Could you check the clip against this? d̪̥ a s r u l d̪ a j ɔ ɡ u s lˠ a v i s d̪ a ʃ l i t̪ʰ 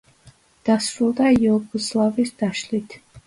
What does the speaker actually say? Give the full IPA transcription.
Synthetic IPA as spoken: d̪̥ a s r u l d̪ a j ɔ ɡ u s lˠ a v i s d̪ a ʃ l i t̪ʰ